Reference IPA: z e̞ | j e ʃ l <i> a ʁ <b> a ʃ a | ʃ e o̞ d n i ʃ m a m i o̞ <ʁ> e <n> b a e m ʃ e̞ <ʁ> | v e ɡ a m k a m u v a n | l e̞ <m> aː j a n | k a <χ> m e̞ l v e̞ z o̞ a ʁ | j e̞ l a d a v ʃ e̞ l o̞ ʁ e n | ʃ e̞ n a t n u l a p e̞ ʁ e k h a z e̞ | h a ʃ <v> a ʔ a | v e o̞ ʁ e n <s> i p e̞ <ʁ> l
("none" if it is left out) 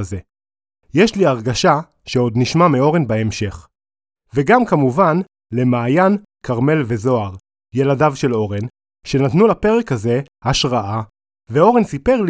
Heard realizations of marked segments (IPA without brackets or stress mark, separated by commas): i, ɡ, ʁ, n, χ, m, ʁ, ʁ, s, ʁ